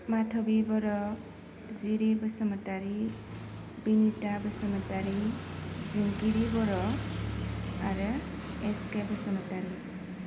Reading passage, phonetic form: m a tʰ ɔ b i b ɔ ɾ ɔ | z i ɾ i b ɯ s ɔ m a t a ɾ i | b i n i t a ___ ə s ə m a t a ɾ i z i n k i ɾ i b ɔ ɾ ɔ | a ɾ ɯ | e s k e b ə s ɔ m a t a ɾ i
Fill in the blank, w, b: b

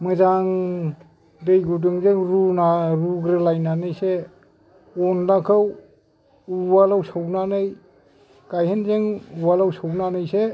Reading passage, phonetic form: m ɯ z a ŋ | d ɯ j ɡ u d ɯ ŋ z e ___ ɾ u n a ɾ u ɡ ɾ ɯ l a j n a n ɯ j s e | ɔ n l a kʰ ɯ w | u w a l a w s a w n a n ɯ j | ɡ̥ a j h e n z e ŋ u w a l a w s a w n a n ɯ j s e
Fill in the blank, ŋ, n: ŋ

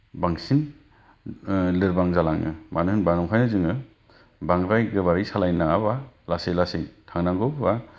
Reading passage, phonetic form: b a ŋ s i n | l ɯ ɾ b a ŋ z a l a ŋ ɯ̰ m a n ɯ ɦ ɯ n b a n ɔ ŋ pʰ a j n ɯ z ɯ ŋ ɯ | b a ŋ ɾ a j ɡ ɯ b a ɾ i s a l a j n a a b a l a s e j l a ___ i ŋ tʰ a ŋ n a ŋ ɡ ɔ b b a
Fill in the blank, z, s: s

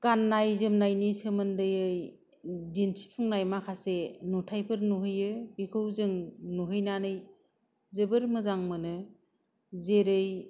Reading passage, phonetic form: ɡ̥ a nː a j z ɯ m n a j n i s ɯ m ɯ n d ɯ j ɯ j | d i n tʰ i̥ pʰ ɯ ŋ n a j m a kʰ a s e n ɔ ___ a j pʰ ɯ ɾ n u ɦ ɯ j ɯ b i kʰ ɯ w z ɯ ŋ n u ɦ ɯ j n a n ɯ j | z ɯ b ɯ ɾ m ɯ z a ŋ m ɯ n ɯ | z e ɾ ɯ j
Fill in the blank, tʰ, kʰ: tʰ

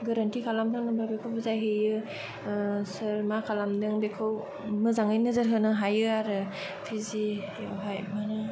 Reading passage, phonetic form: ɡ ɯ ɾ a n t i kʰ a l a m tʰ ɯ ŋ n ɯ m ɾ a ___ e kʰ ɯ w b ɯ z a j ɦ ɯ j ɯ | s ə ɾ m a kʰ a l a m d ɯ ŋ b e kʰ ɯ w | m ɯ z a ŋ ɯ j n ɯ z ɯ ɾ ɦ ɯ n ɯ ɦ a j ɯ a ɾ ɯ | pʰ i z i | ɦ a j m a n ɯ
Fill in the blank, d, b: b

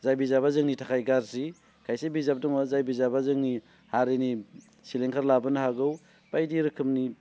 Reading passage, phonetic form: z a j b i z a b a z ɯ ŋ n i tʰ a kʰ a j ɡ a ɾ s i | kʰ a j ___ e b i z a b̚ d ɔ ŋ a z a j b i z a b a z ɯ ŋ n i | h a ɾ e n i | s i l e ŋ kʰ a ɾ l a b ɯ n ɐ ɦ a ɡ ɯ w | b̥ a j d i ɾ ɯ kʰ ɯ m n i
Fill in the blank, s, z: s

